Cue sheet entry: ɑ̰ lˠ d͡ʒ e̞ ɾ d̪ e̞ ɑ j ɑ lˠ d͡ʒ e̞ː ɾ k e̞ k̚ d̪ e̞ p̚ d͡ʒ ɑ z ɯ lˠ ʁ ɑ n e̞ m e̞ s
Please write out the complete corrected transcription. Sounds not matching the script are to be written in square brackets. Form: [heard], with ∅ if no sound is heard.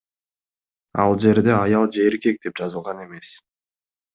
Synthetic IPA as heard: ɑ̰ lˠ d͡ʒ e̞ ɾ d̪ e̞ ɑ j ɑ lˠ d͡ʒ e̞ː ɾ k e̞ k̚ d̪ e̞ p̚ d͡ʒ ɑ z ɯ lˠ ʁ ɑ n e̞ m e̞ s